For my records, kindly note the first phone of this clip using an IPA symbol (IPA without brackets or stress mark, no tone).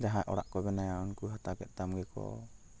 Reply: d͡ʒ